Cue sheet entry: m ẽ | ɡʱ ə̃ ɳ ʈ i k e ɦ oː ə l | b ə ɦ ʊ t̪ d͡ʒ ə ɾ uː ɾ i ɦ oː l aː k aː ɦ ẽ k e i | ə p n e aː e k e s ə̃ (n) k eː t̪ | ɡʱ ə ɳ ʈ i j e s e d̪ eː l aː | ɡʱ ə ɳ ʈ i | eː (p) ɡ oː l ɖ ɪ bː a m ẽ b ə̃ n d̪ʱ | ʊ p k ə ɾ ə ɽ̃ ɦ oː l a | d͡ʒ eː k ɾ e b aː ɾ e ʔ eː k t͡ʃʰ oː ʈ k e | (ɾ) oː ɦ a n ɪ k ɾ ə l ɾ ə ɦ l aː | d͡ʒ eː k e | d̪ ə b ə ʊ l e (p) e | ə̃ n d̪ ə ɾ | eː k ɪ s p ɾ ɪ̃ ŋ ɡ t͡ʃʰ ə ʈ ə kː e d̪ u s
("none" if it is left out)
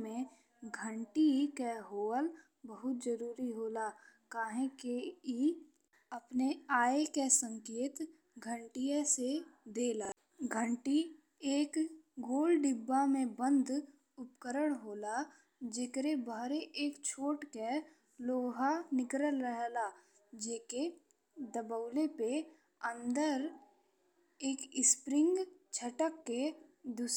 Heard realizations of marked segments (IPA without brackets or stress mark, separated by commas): ŋ, k, l, p